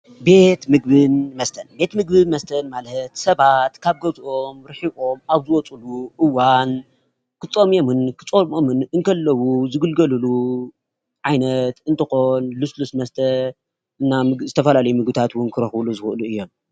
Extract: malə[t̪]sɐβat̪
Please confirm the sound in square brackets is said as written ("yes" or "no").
yes